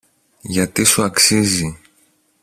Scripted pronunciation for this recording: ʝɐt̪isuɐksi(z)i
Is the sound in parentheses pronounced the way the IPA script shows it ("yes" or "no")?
yes